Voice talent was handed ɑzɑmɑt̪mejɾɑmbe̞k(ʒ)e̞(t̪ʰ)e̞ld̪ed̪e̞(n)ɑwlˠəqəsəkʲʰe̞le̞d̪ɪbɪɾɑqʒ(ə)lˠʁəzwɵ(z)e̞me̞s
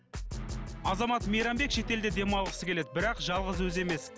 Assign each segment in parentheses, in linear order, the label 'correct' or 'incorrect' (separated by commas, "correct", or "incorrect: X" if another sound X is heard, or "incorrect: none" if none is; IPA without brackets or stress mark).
incorrect: ʃ, incorrect: t̪, incorrect: m, incorrect: ɑ, correct